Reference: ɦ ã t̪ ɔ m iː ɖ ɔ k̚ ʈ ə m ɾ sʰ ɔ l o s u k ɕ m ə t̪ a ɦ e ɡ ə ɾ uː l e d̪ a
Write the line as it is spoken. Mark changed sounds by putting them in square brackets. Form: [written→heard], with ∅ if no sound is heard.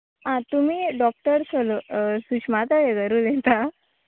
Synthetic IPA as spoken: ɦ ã t̪ [ɔ→u] m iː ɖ ɔ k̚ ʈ ə [m→∅] ɾ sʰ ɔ l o s u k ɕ m [ə→a] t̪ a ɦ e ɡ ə ɾ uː l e [d̪→t̪] a